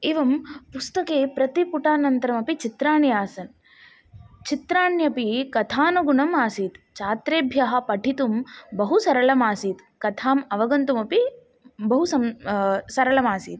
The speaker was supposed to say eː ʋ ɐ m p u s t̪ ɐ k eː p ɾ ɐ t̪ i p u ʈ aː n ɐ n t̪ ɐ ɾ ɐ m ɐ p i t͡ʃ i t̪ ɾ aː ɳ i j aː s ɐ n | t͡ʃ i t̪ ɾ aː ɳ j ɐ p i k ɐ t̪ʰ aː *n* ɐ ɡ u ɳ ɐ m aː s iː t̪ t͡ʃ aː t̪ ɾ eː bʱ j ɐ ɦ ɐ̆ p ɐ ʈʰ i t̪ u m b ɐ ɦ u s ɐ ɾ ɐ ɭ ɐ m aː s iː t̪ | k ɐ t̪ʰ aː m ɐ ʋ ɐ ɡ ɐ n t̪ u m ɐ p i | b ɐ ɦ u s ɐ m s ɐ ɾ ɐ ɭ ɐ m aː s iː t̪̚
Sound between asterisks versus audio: correct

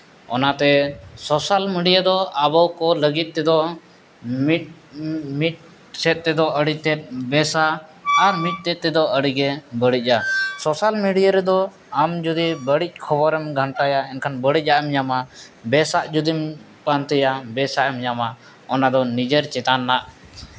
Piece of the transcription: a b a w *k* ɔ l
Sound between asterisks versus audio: correct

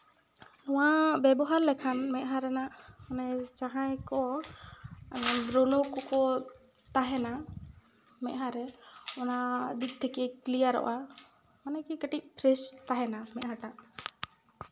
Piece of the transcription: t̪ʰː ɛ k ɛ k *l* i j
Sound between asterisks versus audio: correct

